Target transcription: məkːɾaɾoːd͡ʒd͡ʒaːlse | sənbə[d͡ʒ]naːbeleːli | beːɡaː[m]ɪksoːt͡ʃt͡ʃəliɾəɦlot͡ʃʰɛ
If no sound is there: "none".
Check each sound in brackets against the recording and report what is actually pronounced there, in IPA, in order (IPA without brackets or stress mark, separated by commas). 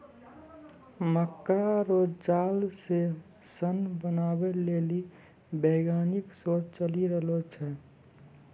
none, n